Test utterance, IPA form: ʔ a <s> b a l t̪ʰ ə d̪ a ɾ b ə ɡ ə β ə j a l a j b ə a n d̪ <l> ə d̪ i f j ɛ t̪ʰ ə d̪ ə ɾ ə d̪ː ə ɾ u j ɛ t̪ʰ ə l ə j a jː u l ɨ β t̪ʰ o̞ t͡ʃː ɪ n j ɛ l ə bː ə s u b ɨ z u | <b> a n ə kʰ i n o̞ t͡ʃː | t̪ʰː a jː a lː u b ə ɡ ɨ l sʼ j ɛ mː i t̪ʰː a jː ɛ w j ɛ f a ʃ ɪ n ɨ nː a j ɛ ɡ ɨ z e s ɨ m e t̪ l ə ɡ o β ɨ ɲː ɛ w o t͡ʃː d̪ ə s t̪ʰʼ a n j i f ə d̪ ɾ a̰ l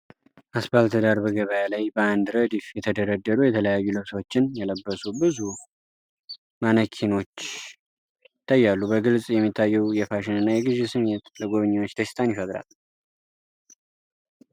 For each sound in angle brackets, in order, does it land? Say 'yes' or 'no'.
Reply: yes, no, no

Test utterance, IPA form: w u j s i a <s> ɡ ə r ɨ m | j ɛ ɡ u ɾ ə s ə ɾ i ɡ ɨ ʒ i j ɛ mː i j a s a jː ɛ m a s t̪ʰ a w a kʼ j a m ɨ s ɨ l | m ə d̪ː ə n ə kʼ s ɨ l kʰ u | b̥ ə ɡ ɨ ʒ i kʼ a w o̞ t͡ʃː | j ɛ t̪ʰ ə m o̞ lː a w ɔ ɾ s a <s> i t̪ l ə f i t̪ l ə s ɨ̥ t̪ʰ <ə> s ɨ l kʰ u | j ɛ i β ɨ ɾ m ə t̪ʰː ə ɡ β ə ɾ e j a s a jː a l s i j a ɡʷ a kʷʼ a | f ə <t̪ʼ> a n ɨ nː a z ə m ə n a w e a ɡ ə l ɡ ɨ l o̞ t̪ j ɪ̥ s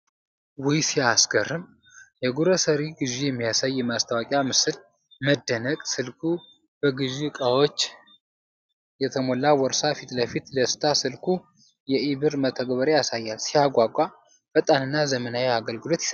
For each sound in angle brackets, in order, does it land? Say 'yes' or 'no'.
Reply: yes, no, no, yes

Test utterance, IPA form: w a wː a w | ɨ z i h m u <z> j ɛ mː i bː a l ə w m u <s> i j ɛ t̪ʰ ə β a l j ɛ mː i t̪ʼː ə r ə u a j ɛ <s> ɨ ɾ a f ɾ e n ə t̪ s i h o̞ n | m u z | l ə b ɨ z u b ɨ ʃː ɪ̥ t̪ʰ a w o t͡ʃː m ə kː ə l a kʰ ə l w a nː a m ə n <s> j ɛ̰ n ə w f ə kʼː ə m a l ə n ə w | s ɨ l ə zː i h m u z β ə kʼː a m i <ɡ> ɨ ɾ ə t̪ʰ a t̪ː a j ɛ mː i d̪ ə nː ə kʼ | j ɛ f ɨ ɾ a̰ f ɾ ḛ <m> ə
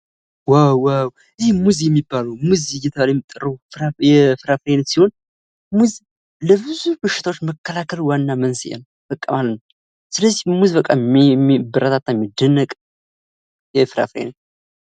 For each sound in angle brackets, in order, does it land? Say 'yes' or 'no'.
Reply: yes, no, no, yes, no, no

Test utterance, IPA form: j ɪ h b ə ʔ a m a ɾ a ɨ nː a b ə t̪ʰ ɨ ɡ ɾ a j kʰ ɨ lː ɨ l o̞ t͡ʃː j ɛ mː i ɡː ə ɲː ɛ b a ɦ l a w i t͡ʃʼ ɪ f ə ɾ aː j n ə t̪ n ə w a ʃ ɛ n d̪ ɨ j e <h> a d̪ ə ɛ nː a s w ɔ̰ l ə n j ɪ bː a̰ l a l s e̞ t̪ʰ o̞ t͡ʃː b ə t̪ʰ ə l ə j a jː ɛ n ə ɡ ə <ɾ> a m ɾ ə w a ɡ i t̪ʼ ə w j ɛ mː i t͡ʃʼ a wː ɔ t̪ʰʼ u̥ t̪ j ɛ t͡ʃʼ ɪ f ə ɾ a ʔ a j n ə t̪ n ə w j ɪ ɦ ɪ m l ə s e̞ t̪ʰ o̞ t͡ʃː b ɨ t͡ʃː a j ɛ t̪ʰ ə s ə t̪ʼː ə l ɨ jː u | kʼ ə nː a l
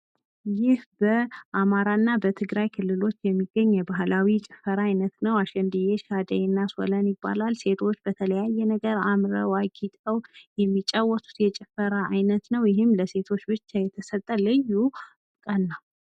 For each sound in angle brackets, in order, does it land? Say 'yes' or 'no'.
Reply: no, yes

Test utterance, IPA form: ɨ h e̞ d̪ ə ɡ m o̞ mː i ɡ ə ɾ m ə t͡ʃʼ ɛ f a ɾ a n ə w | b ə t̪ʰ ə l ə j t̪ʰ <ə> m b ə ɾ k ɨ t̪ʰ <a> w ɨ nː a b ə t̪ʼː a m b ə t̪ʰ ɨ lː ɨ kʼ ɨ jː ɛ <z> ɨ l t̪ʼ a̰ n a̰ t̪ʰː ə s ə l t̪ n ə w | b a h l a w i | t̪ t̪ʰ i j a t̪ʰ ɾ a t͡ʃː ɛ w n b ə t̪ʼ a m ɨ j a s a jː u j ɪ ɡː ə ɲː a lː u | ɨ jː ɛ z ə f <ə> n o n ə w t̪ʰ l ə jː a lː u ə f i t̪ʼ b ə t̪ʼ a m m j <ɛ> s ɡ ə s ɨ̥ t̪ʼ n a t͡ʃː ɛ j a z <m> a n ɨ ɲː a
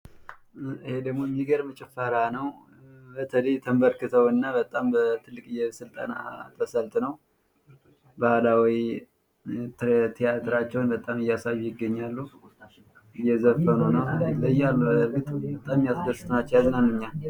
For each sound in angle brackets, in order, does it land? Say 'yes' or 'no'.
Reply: yes, no, no, yes, no, no

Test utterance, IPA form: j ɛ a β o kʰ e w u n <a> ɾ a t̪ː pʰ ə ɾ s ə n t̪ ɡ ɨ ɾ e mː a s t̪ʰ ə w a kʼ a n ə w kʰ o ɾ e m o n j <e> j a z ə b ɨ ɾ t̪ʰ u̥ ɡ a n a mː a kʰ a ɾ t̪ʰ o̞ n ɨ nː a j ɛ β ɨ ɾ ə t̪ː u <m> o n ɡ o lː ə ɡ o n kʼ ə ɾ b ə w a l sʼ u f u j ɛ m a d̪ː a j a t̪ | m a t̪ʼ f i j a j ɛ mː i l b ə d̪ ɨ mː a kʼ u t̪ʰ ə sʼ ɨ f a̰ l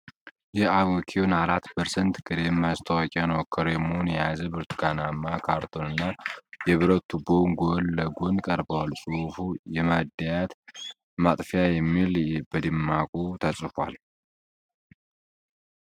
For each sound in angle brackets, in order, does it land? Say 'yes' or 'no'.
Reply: yes, no, no

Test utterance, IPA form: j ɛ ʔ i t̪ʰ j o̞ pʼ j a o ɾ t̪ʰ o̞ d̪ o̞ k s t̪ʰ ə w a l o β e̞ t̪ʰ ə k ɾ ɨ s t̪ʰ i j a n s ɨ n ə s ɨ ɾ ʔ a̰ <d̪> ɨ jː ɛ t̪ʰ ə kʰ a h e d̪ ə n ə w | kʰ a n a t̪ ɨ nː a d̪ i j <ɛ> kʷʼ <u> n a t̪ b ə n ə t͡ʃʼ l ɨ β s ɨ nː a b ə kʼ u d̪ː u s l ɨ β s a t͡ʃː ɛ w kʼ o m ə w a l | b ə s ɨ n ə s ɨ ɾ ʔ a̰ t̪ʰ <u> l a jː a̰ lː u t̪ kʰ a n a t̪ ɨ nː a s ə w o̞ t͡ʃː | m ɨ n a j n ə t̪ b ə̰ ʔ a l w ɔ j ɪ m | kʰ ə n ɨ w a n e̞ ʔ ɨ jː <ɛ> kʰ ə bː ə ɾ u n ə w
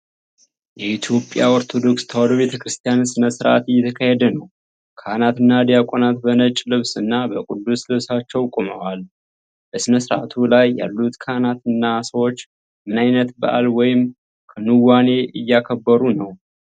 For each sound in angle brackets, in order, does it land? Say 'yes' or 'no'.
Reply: no, no, no, yes, no

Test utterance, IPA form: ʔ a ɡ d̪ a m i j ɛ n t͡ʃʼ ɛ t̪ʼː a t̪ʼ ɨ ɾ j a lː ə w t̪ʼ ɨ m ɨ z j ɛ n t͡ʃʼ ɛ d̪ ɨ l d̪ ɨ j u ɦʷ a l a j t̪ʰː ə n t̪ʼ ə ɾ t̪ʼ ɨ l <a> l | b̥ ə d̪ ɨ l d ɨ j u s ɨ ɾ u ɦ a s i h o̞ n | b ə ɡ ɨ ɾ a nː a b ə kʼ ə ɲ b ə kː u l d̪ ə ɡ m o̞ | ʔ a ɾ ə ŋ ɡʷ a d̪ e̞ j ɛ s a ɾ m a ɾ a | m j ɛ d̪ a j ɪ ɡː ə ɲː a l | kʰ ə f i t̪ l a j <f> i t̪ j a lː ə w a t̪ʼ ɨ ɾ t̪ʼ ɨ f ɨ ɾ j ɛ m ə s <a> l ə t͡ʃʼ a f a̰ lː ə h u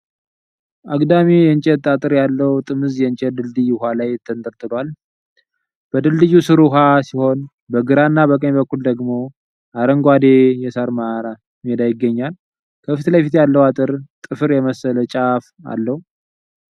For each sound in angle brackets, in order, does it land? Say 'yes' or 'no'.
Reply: yes, yes, no

